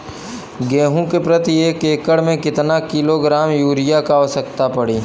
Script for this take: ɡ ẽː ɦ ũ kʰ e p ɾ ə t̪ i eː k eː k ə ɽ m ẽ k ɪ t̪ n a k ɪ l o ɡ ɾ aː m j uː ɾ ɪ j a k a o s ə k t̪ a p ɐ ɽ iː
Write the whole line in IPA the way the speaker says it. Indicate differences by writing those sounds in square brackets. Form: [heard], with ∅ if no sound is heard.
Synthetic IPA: ɡ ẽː ɦ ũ [k] e p ɾ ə t̪ i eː k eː k ə ɽ m ẽ k ɪ t̪ n a k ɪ l o ɡ ɾ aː m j uː ɾ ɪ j a k a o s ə k t̪ a p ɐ ɽ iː